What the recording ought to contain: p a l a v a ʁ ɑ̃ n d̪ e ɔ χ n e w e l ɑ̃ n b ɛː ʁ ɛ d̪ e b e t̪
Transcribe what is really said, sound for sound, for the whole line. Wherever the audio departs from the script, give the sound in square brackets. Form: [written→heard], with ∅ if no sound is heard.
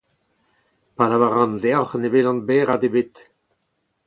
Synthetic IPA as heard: p a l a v a ʁ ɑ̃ n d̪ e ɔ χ n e [w→v] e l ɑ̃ n b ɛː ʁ [ɛ→a] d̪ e b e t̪